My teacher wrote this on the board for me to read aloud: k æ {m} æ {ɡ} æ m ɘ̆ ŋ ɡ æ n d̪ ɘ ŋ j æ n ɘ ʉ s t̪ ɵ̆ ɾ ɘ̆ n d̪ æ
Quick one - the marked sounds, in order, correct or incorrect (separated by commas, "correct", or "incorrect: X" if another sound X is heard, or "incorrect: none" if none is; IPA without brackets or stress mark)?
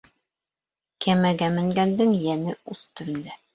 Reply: correct, correct